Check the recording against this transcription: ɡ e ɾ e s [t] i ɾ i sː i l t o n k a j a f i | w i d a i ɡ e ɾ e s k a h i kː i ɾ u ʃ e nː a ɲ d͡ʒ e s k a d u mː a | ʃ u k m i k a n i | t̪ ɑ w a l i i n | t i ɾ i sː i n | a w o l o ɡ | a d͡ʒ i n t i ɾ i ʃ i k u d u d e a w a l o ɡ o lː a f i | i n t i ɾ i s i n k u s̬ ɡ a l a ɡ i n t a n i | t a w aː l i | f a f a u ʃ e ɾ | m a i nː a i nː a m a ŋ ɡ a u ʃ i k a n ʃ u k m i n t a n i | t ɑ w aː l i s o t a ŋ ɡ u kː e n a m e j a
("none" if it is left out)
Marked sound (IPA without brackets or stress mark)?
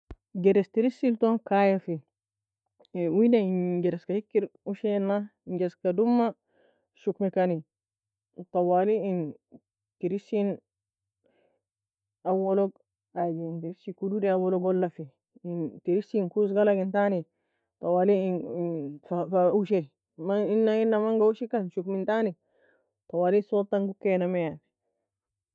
t